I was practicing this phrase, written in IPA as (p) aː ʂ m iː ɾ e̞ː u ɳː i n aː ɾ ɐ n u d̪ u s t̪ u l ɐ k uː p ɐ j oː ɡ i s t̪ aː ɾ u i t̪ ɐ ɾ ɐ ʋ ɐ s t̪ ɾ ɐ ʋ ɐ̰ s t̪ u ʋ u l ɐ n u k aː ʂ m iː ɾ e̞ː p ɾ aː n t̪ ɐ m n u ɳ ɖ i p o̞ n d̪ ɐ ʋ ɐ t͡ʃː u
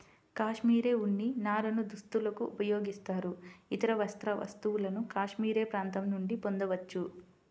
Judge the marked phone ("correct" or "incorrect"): incorrect